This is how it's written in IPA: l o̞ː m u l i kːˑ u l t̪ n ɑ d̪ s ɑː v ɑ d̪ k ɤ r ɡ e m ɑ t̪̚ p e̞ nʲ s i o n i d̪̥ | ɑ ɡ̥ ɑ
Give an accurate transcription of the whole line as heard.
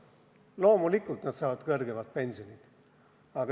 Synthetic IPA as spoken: l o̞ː m u l i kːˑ u l t̪ n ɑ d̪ s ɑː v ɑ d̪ k ɤ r ɡ e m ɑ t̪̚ p e̞ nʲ s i o n i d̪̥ | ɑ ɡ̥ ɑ